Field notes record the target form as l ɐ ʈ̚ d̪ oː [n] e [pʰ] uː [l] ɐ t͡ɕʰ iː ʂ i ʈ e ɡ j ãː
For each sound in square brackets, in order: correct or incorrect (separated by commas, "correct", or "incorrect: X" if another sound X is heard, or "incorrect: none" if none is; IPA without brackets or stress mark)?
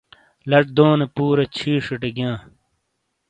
correct, incorrect: p, incorrect: ɾ